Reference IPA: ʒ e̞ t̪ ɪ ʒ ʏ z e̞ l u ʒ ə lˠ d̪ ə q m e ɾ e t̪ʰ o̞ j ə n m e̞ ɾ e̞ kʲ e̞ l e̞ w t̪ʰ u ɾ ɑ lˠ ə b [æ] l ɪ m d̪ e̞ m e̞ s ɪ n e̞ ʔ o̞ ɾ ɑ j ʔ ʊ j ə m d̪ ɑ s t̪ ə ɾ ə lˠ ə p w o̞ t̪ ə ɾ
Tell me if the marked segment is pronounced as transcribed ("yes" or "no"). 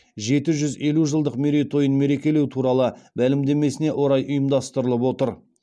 yes